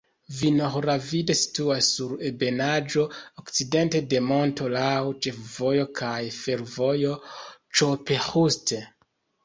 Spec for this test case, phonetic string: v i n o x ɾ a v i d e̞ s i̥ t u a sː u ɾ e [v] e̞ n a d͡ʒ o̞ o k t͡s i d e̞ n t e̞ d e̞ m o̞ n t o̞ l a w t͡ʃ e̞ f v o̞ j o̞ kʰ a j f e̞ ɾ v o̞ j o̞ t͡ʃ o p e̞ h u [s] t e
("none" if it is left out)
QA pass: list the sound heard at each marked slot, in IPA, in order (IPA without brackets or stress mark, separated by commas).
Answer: b, s